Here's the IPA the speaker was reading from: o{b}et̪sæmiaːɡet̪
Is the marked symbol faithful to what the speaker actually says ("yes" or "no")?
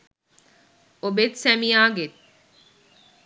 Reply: yes